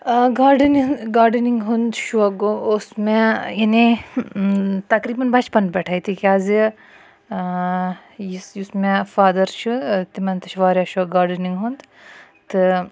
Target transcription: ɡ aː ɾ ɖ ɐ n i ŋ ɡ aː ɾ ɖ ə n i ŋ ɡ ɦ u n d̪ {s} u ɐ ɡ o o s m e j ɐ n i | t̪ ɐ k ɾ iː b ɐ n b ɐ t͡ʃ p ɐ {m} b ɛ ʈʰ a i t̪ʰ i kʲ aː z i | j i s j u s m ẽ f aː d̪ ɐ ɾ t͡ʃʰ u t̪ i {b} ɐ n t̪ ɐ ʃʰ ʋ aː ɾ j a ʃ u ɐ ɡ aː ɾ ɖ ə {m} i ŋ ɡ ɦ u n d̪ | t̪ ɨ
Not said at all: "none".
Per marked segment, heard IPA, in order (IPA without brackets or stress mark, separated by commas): ʃ, n, m, n